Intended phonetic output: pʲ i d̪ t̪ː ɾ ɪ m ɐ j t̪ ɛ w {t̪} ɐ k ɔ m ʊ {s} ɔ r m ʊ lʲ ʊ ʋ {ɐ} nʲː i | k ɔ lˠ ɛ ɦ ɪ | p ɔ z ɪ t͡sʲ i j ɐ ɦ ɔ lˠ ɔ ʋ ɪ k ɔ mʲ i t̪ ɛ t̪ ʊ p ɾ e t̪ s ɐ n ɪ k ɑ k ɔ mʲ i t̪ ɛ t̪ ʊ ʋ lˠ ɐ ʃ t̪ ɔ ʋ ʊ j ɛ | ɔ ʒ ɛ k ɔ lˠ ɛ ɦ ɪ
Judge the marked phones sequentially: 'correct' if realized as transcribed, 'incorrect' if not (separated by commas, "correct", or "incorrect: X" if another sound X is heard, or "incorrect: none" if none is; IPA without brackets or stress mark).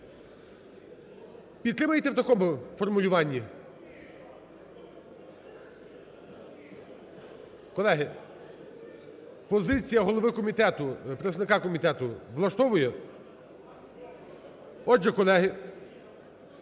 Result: correct, incorrect: f, incorrect: ɑ